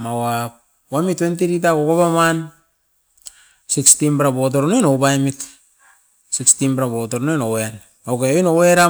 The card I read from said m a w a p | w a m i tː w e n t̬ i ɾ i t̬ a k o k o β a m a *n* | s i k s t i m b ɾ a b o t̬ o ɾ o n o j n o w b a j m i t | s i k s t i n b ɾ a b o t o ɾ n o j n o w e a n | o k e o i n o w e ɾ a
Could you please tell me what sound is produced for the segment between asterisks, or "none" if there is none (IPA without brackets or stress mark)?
n